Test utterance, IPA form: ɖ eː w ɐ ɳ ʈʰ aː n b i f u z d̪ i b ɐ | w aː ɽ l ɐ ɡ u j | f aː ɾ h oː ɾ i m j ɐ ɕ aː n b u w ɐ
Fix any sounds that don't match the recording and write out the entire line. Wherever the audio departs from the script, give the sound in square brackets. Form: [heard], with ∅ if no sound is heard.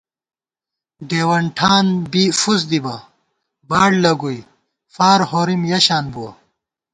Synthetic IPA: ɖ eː w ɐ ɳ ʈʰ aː n b i f u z d̪ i b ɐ | [b] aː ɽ l ɐ ɡ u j | f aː ɾ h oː ɾ i m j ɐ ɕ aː n b u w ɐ